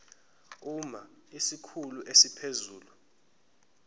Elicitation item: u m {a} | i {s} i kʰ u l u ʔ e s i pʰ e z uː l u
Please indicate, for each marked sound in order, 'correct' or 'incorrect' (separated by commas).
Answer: correct, correct